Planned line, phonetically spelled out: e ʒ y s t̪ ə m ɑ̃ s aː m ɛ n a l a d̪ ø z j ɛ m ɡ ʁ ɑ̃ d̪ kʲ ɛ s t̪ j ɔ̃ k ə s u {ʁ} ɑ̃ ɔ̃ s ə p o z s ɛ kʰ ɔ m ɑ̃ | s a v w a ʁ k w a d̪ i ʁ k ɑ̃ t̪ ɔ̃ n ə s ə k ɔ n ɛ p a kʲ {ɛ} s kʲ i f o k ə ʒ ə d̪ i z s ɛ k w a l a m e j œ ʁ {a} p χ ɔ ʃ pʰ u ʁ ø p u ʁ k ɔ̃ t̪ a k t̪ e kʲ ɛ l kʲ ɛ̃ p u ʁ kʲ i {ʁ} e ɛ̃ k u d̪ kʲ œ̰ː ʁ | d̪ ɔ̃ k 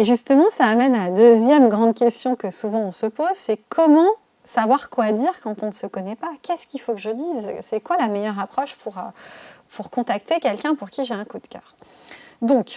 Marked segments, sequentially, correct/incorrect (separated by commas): incorrect, correct, correct, incorrect